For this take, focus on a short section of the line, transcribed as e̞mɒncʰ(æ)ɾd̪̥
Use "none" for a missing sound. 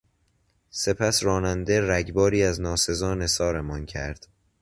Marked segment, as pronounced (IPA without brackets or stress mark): æ